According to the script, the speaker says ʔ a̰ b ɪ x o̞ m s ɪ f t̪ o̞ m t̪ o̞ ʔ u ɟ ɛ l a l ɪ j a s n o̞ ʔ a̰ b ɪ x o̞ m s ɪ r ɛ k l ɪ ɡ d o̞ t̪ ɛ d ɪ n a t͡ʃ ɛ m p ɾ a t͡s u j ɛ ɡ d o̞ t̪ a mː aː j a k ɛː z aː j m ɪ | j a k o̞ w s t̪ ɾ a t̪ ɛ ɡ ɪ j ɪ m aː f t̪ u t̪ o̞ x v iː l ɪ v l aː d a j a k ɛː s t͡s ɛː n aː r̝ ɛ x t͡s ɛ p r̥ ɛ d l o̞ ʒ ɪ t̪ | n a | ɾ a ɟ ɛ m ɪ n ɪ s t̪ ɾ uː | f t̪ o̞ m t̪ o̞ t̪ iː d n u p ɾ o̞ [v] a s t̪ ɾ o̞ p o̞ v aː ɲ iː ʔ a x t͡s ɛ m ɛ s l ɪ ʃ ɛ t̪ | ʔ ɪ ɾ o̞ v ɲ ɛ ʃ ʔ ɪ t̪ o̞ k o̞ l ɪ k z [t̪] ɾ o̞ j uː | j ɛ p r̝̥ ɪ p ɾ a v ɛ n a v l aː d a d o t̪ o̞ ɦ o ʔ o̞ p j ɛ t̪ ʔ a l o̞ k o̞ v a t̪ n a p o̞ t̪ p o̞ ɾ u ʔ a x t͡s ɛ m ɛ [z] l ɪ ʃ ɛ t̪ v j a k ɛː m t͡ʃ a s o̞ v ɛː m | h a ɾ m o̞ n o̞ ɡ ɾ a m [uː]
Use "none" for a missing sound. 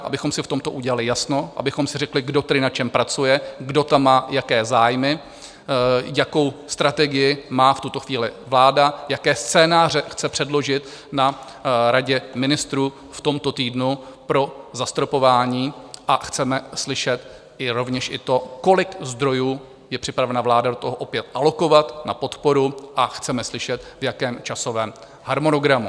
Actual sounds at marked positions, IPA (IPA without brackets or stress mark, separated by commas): z, d̪, s, u